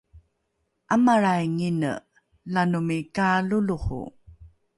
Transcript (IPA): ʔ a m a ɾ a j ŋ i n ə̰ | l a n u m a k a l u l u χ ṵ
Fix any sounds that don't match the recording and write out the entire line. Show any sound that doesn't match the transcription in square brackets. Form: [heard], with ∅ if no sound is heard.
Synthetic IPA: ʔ a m a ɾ a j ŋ i n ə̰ | l a n u m [i] k a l u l u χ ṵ